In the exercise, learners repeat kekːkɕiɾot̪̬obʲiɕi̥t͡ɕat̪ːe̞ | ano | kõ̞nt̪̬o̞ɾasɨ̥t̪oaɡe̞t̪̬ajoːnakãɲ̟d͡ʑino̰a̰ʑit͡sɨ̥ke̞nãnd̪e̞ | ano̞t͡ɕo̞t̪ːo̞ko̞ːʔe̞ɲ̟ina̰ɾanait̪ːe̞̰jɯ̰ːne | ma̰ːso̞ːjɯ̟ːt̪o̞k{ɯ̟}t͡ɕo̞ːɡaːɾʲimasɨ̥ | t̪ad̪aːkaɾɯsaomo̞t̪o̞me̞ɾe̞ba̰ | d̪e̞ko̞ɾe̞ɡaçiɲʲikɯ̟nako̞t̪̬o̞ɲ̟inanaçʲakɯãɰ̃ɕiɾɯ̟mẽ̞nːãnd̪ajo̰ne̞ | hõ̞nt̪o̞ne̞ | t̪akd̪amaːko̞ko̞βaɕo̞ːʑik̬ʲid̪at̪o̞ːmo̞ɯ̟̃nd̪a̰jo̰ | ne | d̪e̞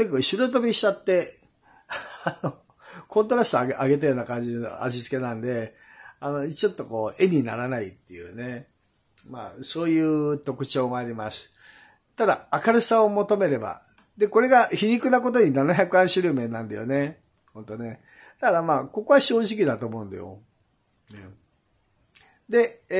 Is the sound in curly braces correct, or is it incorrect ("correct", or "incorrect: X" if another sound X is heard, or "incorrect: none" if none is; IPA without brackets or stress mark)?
correct